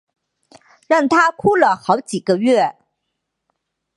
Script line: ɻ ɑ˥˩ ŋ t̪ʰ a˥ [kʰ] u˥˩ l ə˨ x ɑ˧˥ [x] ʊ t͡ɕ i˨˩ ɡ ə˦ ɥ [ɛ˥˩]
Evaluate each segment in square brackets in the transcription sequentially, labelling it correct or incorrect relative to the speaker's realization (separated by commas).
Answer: correct, incorrect, correct